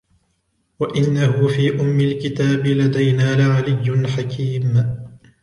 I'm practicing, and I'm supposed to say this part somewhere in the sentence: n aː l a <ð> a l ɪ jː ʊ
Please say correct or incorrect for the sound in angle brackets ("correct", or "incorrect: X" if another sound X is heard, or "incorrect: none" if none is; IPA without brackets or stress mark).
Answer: incorrect: ʕ